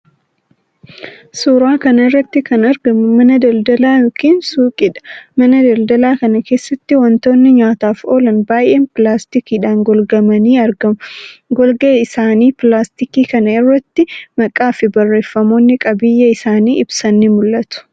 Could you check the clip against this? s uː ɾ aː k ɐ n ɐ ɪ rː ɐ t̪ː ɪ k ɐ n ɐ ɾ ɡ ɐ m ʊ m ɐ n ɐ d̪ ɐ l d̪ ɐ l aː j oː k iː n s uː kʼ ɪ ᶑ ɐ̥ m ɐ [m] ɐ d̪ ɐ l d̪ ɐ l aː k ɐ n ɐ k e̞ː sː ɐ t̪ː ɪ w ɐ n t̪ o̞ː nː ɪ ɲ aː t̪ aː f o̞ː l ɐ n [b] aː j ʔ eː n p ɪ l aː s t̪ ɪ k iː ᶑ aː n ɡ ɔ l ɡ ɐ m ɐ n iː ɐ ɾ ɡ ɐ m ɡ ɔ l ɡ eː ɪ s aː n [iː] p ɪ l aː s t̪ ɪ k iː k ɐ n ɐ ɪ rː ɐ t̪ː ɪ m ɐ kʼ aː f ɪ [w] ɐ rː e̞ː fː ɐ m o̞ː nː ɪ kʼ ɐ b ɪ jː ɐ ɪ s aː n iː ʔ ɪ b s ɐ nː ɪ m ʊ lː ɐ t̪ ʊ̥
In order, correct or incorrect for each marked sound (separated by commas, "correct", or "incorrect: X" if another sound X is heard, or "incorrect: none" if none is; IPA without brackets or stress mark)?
incorrect: n, correct, correct, incorrect: b